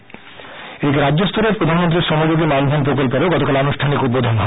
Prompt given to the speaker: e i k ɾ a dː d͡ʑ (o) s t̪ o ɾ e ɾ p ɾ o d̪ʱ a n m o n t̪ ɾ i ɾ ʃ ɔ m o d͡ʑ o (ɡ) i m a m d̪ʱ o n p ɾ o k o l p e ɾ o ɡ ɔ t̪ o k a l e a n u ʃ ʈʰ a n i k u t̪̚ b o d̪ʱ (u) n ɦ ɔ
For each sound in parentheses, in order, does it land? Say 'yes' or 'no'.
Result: yes, yes, no

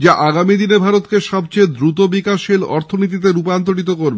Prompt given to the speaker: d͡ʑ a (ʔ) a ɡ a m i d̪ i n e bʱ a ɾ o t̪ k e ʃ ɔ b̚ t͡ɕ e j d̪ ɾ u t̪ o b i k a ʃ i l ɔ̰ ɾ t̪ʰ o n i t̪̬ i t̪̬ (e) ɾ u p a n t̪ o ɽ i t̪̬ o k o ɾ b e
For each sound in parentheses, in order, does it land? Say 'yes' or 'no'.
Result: yes, yes

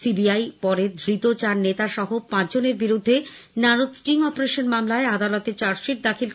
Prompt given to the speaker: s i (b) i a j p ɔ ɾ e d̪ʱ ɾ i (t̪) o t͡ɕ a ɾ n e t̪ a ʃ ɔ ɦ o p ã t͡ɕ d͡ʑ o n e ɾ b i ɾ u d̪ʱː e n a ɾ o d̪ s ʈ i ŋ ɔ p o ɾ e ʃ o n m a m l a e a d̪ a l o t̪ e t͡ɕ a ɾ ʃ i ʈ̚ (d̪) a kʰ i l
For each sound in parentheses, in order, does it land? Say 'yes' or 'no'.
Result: yes, yes, yes

